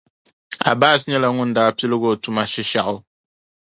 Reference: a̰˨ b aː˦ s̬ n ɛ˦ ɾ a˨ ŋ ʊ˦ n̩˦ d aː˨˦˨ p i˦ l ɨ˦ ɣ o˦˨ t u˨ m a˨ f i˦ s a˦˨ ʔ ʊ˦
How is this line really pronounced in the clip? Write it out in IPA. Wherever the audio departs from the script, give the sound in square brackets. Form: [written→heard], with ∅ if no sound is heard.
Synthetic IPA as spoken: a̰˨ b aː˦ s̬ [n→ɲ] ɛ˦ [ɾ→l] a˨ ŋ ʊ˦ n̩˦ d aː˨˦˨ p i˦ l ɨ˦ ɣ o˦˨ t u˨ m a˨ [f→ʃ] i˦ [s→ʃ] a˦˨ ʔ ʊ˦